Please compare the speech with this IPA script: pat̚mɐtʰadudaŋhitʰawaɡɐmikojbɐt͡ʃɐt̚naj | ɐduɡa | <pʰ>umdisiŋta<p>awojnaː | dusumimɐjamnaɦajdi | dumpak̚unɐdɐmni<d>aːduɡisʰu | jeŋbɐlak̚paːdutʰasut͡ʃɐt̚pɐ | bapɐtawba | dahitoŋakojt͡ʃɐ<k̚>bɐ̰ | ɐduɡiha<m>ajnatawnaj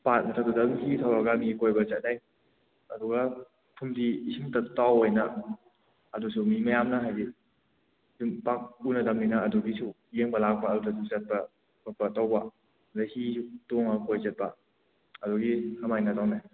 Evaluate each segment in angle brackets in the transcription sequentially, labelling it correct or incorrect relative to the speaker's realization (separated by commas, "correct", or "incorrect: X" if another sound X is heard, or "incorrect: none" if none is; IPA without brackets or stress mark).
correct, incorrect: t, incorrect: n, incorrect: t̚, correct